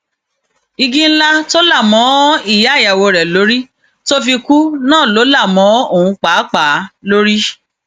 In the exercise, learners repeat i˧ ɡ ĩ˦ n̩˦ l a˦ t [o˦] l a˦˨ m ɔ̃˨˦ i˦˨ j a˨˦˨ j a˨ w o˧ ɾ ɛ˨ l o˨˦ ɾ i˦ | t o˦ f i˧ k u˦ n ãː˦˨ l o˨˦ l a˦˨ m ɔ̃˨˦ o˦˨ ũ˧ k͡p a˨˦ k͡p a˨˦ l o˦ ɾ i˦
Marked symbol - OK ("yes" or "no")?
yes